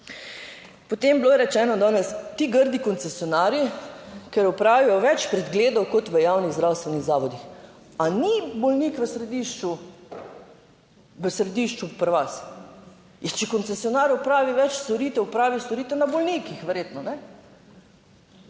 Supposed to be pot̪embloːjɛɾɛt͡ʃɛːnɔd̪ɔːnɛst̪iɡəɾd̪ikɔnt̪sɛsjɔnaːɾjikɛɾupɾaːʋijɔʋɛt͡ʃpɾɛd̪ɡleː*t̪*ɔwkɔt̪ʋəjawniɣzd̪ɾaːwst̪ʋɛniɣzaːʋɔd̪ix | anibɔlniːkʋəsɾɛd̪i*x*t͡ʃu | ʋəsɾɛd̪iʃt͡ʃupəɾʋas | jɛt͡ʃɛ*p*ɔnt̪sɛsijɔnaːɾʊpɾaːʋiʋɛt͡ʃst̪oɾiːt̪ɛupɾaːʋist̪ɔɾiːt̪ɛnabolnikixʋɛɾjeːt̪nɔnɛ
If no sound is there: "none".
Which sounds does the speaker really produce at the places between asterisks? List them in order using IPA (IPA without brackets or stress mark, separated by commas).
d̪, ʃ, k